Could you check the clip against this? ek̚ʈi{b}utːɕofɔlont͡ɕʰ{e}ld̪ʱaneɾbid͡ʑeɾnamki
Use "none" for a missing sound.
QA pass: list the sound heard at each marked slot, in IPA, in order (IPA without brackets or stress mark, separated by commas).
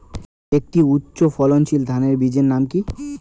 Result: none, i